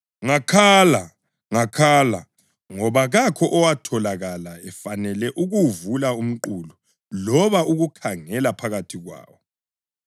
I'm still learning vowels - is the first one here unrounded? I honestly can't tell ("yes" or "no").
yes